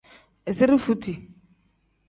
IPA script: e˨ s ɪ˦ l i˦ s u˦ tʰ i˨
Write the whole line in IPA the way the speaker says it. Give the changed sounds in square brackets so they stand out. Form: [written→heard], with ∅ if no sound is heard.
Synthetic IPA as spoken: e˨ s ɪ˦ [l→ɾ] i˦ [s→f] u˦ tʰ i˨